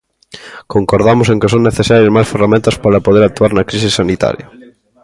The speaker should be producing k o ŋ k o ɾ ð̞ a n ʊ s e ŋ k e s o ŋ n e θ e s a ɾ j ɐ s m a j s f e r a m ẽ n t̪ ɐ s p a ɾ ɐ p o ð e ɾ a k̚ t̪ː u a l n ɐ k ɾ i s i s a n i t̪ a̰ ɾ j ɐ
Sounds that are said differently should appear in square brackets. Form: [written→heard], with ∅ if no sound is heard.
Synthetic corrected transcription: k o ŋ k o ɾ ð̞ a [n→m] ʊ s e ŋ k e s o ŋ n e θ e s a ɾ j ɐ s m a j s f e r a m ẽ n t̪ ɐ s p a ɾ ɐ p o ð e ɾ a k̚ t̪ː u a [l→ɾ] n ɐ k ɾ i s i s a n i t̪ a̰ ɾ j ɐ